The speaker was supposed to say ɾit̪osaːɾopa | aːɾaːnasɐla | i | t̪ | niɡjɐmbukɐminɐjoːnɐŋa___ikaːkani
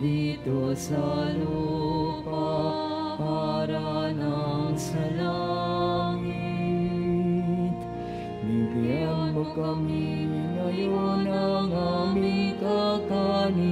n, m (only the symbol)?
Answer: m